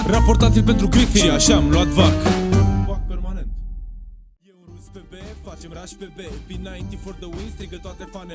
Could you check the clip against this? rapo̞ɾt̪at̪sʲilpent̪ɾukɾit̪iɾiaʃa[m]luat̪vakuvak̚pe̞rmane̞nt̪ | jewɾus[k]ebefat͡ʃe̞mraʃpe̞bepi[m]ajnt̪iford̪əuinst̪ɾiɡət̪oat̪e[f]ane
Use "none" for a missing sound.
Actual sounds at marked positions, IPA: m, p, n, f

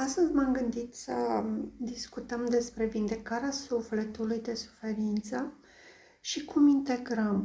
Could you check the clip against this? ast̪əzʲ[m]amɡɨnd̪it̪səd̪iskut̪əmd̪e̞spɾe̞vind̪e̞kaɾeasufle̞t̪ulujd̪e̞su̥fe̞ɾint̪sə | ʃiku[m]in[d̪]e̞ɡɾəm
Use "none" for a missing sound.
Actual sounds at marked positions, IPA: m, m, t̪

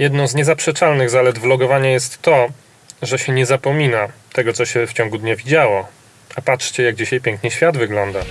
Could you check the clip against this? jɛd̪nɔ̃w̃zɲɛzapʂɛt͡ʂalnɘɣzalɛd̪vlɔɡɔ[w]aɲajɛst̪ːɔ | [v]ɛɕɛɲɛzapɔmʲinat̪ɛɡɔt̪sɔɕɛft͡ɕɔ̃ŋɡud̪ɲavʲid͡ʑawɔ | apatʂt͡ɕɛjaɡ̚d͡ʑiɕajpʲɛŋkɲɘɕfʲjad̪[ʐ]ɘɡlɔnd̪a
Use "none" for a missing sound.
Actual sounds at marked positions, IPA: v, ʐ, v

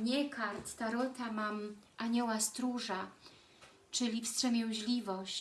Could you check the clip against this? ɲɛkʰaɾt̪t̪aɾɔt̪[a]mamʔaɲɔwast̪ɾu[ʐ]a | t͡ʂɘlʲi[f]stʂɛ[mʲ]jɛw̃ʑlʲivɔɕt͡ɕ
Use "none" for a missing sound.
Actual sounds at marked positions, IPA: a, ʐ, f, mʲ

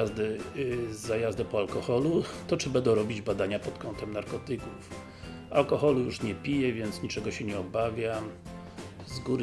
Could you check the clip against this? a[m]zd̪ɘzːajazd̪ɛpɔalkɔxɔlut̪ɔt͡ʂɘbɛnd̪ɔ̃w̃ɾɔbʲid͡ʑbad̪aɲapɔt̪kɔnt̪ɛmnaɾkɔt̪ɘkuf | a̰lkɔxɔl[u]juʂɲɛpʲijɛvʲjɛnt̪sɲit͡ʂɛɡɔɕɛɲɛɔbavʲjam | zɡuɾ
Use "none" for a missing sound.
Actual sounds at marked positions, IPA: none, u

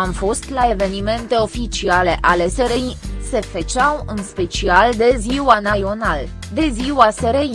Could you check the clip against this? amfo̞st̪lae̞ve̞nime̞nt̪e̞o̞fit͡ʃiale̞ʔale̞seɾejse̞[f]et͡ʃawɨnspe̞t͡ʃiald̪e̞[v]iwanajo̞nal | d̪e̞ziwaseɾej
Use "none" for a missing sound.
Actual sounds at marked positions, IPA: f, z

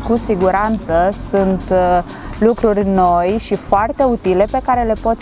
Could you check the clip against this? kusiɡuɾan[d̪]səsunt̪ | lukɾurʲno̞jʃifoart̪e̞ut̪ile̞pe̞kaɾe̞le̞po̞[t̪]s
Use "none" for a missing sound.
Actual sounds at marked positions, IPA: t̪, t̪

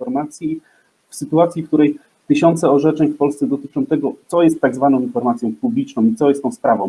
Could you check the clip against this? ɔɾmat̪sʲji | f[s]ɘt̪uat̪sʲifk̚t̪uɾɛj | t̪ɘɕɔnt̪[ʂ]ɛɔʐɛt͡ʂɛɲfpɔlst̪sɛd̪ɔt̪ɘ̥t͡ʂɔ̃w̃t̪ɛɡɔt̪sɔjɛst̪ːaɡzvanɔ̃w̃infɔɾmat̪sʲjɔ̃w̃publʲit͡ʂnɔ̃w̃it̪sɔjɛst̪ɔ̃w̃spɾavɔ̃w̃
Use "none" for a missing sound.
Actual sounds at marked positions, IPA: s, s

